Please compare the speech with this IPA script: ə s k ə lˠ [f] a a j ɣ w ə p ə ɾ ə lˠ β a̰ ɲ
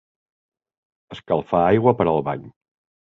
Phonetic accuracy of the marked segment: correct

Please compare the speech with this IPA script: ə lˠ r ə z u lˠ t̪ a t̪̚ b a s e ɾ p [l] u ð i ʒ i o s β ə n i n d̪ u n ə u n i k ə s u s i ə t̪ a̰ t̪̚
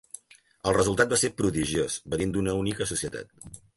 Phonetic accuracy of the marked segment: incorrect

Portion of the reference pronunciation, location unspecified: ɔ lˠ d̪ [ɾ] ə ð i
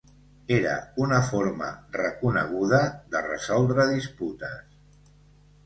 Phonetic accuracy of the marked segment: correct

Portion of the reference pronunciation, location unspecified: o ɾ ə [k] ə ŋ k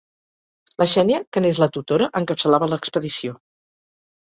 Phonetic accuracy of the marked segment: incorrect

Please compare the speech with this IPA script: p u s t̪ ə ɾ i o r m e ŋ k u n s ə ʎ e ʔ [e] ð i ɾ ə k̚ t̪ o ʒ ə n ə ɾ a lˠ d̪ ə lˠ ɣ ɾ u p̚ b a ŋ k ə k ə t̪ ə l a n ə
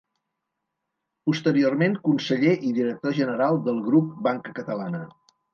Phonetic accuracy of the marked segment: incorrect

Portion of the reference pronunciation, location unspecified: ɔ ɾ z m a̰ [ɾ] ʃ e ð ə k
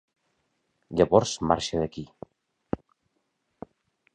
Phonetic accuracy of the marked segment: correct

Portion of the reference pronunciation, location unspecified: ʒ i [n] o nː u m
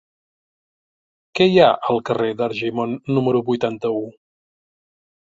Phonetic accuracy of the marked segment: incorrect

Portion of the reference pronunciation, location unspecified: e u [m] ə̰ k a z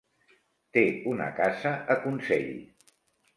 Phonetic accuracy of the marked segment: incorrect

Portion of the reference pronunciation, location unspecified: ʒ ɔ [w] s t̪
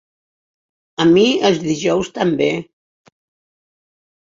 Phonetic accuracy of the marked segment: correct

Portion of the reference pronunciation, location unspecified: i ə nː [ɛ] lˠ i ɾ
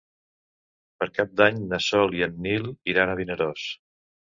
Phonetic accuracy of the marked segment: incorrect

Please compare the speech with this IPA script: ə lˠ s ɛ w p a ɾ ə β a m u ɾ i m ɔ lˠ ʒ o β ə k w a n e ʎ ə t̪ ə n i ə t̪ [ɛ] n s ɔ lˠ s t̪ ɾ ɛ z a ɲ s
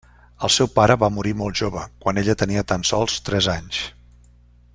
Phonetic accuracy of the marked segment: incorrect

